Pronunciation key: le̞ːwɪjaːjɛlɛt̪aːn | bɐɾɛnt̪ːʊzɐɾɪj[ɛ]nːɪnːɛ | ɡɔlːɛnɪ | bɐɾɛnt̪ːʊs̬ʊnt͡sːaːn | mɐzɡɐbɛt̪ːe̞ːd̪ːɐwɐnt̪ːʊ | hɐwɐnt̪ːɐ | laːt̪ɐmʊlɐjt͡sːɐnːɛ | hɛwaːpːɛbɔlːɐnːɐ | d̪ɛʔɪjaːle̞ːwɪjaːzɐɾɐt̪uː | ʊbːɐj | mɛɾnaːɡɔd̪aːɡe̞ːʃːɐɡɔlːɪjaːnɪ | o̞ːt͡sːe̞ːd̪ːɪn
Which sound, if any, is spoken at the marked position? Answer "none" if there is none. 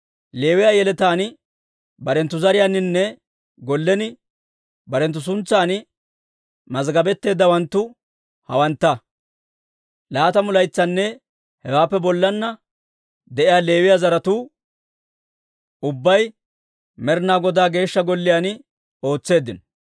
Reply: a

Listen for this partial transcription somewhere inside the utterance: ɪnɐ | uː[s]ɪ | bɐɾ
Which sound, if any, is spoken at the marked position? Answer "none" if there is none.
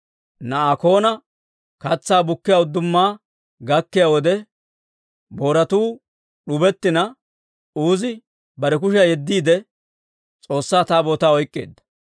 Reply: z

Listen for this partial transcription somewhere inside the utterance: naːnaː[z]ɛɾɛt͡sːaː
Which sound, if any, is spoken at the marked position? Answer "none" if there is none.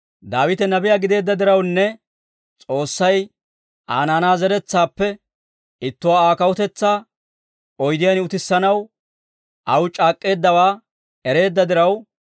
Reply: z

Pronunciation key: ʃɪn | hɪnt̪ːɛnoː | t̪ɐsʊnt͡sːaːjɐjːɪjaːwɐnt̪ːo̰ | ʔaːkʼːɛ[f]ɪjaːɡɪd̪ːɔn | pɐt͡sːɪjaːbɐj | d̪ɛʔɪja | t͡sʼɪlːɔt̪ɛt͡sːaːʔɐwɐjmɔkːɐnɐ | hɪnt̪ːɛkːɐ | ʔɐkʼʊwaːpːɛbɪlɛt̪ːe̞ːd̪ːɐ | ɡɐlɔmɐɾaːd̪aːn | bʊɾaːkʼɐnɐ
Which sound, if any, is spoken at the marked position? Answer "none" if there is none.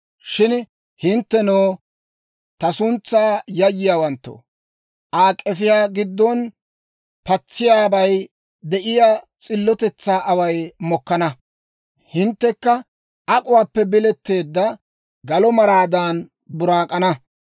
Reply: f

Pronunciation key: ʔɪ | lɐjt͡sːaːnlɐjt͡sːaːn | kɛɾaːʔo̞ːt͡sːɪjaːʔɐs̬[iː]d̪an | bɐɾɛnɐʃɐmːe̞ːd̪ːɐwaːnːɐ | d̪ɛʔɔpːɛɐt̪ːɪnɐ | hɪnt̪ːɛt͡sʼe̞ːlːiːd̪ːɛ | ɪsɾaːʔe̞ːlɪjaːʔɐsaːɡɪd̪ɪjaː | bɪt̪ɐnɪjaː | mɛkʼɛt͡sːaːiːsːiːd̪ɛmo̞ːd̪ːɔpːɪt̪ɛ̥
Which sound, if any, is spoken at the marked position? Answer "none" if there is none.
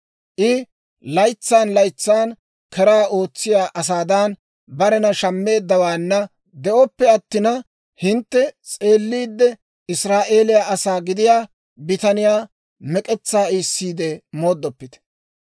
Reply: aː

